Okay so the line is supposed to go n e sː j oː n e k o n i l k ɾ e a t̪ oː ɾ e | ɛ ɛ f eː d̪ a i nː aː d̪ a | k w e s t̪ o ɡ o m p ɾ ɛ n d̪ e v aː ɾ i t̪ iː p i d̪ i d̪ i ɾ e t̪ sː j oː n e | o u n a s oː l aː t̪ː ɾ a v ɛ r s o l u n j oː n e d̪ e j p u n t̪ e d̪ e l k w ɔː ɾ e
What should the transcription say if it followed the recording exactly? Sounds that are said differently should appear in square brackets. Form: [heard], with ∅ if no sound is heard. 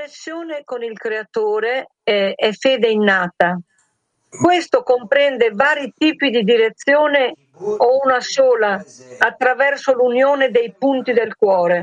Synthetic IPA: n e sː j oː n e k o n i l k ɾ e a t̪ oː ɾ e | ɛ ɛ f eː d̪ [e] i nː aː [t̪] a | k w e s t̪ o [k] o m p ɾ ɛ n d̪ e v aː ɾ i t̪ iː p i d̪ i d̪ i ɾ e t̪ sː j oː n e | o u n a s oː l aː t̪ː ɾ a v ɛ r s o l u n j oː n e d̪ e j p u n t̪ [i] d̪ e l k w ɔː ɾ e